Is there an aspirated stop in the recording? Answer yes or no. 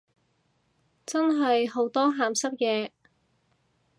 no